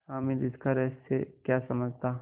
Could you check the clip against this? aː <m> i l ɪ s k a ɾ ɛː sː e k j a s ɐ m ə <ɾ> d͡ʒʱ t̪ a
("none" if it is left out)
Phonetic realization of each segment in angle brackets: m, none

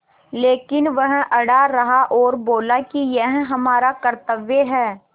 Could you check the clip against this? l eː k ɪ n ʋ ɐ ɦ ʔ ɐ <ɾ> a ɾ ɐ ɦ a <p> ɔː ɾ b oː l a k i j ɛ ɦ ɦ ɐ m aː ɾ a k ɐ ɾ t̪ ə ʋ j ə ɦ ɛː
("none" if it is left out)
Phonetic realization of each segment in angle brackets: ɽ, ʔ

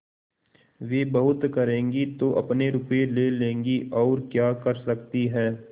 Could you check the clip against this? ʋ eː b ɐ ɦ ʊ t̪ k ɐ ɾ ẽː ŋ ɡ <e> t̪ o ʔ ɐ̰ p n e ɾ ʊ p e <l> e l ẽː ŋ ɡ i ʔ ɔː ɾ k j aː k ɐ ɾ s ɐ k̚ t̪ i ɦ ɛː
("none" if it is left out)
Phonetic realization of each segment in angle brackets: i, l

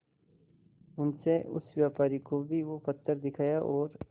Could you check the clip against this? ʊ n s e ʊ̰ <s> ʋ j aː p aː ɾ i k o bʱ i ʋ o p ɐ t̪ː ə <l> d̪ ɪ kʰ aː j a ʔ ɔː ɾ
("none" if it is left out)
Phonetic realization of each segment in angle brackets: s, ɾ

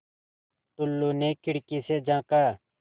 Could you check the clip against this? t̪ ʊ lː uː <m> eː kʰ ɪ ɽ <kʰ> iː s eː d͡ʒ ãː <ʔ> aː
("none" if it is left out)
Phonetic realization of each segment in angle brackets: n, k, k

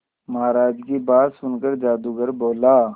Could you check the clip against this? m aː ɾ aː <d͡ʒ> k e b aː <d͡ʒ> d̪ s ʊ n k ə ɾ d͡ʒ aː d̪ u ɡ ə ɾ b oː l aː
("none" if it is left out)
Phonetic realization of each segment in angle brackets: d͡ʒ, none

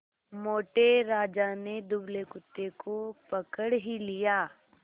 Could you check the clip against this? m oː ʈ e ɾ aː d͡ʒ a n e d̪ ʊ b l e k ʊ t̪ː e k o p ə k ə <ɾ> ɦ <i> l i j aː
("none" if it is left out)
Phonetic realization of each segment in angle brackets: ɽ, i

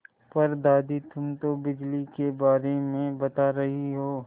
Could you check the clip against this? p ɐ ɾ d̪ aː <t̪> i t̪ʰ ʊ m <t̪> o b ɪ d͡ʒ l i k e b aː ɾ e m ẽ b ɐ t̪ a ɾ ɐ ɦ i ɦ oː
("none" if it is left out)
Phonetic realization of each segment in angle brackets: d̪, t̪

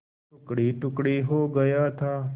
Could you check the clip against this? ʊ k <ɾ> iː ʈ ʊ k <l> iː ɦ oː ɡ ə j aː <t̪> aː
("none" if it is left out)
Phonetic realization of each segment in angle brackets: ɽ, ɽ, t̪ʰ

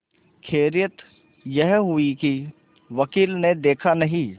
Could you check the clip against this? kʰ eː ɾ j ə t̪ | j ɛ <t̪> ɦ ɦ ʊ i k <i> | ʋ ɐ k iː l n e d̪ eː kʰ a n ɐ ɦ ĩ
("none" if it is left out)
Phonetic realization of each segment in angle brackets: none, i

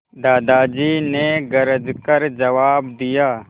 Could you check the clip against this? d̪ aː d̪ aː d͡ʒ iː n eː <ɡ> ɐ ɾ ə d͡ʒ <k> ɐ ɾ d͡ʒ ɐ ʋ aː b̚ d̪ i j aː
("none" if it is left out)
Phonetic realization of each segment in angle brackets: ɡ, k

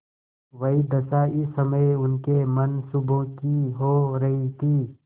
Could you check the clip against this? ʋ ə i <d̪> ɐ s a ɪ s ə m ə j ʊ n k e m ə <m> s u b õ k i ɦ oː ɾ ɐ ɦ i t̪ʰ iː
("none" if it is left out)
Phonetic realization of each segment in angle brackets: d̪, n

